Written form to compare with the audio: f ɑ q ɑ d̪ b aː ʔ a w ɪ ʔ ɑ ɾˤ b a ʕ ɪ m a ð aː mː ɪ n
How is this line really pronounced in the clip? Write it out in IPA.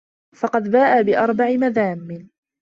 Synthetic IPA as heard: f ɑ q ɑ d̪ b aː ʔ a b ɪ ʔ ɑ ɾˤ b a ʕ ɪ m a ð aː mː ɪ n